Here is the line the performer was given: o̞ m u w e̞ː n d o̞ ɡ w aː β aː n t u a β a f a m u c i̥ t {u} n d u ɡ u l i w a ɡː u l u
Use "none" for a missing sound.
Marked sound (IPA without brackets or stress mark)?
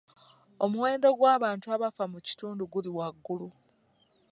uː